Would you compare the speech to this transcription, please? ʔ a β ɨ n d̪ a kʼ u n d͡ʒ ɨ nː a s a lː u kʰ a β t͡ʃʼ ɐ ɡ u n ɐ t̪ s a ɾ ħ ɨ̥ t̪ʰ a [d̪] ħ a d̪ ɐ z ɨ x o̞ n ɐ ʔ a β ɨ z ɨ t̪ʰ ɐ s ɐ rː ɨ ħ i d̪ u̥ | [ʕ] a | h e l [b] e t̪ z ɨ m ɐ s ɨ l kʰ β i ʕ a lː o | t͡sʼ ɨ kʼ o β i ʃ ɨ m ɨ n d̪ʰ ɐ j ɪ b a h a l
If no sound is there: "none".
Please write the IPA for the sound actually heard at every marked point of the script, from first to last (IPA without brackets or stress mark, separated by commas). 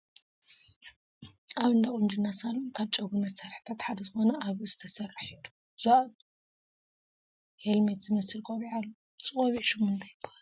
t̪, z, m